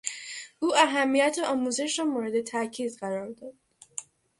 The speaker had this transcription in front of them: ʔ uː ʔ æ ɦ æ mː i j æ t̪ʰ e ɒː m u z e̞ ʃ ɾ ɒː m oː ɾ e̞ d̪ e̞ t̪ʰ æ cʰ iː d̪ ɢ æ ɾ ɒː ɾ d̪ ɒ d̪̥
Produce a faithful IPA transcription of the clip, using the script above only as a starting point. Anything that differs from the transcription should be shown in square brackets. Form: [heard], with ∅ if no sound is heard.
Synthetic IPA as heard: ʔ uː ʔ æ ɦ æ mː i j æ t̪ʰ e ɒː m u z e̞ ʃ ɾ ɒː m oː ɾ e̞ d̪ e̞ t̪ʰ æ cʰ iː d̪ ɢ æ ɾ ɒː ɾ d̪ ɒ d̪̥